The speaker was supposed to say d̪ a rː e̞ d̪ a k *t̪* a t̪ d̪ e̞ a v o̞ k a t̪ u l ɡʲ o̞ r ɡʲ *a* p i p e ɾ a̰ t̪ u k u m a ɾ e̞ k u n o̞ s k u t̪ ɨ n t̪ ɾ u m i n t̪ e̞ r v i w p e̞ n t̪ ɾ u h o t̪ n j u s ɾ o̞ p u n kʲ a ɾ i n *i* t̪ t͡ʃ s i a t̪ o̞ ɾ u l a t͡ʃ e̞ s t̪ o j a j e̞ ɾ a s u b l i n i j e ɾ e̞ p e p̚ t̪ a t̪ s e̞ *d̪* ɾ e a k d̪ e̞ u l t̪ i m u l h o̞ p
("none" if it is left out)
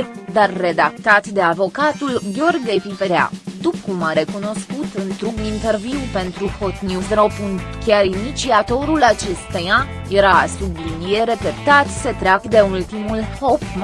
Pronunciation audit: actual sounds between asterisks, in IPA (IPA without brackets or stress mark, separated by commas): t̪, e, i, t̪